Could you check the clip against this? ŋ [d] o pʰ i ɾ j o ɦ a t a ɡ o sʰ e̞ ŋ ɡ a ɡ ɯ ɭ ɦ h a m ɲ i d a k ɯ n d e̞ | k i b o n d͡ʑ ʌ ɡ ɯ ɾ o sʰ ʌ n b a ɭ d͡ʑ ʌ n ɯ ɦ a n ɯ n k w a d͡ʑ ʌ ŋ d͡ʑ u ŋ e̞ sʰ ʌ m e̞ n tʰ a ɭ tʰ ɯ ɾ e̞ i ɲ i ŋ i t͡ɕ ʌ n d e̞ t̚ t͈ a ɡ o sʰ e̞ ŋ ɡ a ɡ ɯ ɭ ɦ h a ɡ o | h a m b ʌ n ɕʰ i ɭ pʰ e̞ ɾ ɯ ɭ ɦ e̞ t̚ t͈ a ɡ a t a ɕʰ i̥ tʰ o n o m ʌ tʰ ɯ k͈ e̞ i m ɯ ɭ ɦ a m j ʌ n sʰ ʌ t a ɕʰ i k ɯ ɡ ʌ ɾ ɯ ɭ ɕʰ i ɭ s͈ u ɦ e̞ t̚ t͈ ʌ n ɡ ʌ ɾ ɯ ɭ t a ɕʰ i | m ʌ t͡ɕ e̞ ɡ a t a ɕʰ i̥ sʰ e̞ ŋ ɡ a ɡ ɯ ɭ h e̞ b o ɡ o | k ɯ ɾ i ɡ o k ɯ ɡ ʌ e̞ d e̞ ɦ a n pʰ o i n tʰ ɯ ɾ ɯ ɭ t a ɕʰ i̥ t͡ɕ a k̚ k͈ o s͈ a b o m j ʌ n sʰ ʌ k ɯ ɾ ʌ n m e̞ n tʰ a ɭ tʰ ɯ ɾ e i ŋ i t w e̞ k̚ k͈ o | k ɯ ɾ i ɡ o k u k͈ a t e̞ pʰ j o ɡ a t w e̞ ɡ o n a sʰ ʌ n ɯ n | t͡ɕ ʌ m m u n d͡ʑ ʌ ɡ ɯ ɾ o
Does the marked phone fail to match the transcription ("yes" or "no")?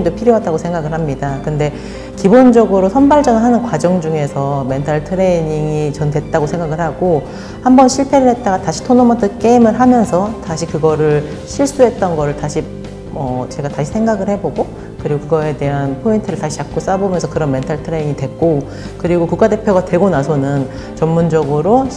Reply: no